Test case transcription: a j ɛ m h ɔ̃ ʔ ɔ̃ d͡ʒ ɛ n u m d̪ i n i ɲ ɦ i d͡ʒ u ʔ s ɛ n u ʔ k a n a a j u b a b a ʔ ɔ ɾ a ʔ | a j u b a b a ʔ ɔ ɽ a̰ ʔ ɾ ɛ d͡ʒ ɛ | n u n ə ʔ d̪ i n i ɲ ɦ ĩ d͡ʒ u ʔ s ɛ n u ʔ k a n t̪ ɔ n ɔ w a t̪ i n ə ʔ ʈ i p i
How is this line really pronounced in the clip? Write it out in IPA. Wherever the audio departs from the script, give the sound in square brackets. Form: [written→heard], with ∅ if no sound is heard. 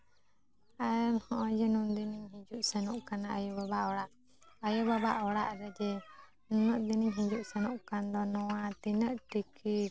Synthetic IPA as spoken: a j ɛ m h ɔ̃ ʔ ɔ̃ d͡ʒ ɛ n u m d̪ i n i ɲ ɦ i d͡ʒ u ʔ s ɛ n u ʔ k a n a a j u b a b a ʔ ɔ [ɾ→ɽ] a ʔ | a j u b a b a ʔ ɔ ɽ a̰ ʔ ɾ ɛ d͡ʒ ɛ | n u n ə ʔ d̪ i n i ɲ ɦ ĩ d͡ʒ u ʔ s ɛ n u ʔ k a n [t̪→d̪] ɔ n ɔ w a t̪ i n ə ʔ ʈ i [p→k] i